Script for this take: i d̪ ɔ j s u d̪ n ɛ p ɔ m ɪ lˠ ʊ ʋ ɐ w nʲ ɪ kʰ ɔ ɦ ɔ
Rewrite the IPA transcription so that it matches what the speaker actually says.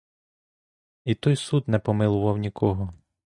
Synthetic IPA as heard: i t̪ ɔ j s u d̪ n ɛ p ɔ m ɪ lˠ ʊ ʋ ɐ w nʲ i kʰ ɔ ɦ ɔ